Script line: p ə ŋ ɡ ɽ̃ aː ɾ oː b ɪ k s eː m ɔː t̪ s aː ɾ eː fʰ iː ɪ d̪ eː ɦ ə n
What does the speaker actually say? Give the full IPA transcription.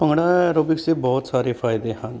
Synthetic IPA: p ə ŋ ɡ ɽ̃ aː ɾ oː b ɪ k s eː b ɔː t̪ s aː ɾ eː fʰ aː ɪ d̪ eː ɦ ə n